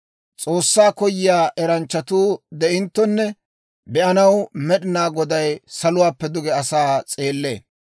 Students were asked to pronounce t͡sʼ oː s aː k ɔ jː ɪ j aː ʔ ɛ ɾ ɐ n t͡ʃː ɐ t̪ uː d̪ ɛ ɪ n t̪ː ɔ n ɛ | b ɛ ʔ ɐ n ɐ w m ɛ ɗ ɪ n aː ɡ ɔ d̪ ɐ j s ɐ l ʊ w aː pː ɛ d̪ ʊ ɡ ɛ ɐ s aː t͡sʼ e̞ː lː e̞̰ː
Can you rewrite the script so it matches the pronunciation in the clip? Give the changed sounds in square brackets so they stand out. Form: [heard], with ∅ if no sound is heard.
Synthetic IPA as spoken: t͡sʼ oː [sː] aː k ɔ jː ɪ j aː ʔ ɛ ɾ ɐ n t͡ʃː ɐ t̪ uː d̪ ɛ ɪ n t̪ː ɔ [nː] ɛ | b ɛ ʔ ɐ n ɐ w m ɛ ɗ ɪ n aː ɡ ɔ d̪ ɐ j s ɐ l ʊ w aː pː ɛ d̪ ʊ ɡ ɛ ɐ s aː t͡sʼ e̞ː lː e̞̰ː